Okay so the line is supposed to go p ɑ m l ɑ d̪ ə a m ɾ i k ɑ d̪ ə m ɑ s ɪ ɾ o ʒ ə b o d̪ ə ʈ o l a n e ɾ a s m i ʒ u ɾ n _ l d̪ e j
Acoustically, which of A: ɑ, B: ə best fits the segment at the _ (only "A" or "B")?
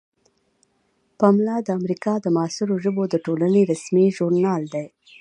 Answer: A